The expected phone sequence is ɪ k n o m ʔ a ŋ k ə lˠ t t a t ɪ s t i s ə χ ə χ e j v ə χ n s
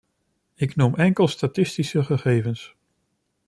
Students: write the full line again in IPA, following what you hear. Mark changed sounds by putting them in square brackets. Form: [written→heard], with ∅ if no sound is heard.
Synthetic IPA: ɪ k n [o→u] m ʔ [a→ɛ] ŋ k ə lˠ [t→s] t a t ɪ s t i s ə χ ə χ e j v ə [χ→∅] n s